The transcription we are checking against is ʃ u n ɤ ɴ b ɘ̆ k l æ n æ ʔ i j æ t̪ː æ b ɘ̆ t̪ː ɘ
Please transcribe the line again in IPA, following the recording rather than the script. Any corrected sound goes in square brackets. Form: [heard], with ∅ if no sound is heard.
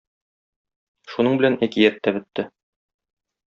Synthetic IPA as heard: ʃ u n ɤ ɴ b ɘ̆ [∅] l æ n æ [k] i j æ t̪ː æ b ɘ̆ t̪ː ɘ